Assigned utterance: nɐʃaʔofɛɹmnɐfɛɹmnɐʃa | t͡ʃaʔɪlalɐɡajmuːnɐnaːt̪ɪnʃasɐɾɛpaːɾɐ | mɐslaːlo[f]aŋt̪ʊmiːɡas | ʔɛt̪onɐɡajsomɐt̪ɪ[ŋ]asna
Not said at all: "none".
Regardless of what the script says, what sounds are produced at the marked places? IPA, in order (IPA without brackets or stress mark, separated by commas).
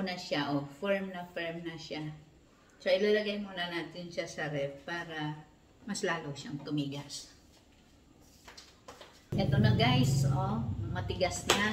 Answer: ʃ, ɡ